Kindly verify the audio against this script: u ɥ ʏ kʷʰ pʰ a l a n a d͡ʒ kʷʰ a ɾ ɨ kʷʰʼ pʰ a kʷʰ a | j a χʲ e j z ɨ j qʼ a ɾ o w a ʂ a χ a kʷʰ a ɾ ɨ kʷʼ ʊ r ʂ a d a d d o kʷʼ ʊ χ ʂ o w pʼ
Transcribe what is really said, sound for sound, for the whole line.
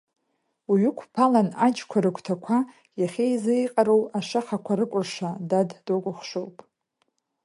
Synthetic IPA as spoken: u ɥ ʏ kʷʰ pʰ a l a n a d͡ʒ kʷʰ a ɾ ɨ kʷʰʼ tʰ a kʷʰ a | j a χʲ e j z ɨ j qʼ a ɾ o w a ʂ a χ a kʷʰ a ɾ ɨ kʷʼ ʊ r ʂ a d a d d o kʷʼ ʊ χ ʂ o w pʼ